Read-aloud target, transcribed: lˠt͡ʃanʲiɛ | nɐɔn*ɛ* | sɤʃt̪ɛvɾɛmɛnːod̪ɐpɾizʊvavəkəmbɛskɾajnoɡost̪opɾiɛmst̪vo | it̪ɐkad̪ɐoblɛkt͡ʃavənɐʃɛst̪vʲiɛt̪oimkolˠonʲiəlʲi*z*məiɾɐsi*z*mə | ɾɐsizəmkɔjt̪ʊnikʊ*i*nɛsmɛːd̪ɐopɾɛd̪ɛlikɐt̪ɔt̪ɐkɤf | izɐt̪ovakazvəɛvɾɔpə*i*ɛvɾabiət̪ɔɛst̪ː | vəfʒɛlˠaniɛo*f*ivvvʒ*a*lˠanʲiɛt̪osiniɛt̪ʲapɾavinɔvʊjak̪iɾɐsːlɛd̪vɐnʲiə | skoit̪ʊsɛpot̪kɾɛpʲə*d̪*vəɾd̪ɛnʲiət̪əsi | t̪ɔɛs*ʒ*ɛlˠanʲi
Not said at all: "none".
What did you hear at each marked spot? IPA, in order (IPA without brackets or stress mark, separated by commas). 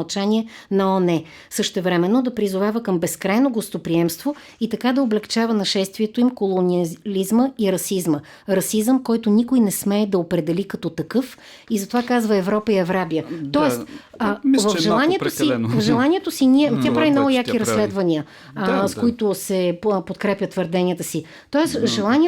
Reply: ɛ, z, z, j, i, s, ɛ, t̪, ʒ